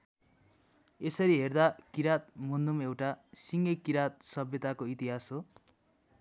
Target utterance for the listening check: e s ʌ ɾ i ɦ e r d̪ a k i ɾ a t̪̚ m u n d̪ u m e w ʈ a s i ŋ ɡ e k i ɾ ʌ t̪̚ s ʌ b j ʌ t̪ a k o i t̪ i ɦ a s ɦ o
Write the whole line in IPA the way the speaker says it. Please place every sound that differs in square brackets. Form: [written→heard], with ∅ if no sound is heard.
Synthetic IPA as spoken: e s ʌ ɾ i ɦ e r d̪ a k i ɾ a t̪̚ m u n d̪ u m e w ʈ a s i ŋ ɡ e k i ɾ [ʌ→a] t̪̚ s ʌ b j ʌ t̪ a k o i t̪ i ɦ a s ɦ o